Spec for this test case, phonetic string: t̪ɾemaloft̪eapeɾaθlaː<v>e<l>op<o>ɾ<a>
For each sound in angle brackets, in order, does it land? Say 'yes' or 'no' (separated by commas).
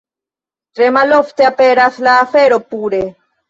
no, no, no, no